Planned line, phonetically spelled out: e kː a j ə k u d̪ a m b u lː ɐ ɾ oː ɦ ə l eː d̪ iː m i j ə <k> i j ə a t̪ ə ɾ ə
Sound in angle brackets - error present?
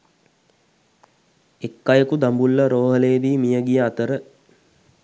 yes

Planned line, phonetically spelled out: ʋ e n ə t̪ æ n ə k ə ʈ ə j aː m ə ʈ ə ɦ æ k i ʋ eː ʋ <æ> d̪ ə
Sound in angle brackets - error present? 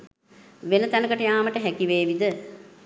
yes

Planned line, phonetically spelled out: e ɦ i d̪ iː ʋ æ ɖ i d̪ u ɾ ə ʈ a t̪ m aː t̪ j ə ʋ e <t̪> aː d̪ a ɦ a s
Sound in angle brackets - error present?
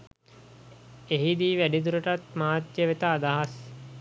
no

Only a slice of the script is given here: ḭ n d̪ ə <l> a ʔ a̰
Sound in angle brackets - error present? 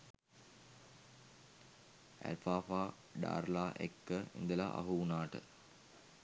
no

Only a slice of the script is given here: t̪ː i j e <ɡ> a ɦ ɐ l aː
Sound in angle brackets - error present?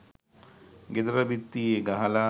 no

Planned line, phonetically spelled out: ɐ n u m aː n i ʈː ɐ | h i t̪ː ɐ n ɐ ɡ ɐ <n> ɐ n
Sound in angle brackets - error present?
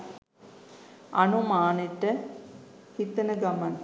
yes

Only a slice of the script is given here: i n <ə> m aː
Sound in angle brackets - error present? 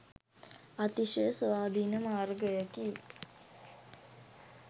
no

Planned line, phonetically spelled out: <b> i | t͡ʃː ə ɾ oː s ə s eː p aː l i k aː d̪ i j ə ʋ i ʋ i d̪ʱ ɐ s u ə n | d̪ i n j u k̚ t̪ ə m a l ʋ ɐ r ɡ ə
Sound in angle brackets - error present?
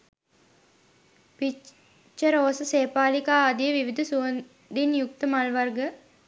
yes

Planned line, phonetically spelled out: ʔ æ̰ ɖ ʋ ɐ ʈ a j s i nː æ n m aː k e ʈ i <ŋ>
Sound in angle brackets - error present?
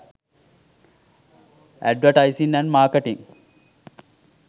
no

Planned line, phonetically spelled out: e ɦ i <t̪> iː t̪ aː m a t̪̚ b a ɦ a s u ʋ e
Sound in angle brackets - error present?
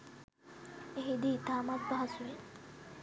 yes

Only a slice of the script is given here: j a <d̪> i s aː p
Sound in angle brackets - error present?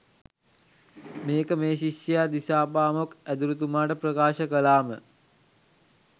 no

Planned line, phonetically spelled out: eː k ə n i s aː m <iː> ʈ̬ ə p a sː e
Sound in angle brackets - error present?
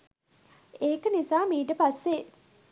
no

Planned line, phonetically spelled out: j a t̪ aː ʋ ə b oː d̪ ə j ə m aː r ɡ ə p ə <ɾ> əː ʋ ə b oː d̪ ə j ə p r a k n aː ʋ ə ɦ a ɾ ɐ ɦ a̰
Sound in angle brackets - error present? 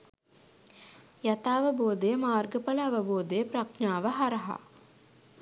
yes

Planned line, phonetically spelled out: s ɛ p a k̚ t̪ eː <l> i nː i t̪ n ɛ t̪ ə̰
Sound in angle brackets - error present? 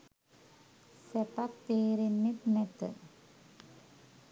yes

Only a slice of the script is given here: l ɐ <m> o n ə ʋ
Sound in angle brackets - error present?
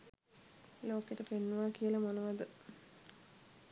no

